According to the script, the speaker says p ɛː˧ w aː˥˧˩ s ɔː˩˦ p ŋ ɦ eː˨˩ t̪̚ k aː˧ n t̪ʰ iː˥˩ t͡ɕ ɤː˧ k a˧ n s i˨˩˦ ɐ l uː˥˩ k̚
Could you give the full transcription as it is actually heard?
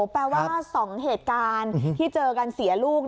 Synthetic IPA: p ɛː˧ w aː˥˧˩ s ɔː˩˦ ŋ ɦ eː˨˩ t̪̚ k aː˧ n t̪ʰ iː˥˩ t͡ɕ ɤː˧ k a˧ n s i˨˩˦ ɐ l uː˥˩ k̚